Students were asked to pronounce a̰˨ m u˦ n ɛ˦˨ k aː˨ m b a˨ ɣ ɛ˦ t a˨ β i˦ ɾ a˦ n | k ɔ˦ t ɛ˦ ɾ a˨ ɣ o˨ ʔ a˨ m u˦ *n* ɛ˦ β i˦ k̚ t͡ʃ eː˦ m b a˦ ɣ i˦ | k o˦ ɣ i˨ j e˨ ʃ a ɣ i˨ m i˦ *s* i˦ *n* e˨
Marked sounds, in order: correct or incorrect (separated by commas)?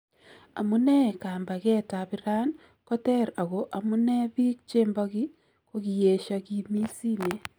correct, correct, correct